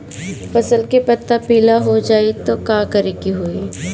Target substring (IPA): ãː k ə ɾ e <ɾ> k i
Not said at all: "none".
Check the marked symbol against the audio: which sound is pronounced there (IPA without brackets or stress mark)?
none